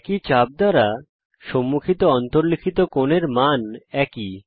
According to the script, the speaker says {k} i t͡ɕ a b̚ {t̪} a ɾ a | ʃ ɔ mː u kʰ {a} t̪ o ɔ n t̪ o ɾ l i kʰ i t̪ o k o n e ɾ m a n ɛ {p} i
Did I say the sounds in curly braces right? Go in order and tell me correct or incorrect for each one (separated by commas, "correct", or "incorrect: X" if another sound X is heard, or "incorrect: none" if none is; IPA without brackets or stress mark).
correct, incorrect: d̪, incorrect: i, incorrect: k